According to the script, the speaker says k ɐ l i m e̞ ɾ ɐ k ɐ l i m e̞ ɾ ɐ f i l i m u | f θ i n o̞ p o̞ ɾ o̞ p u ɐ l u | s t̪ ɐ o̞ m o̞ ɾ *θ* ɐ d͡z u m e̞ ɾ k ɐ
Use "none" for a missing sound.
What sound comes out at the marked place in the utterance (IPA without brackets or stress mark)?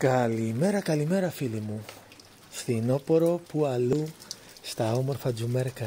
f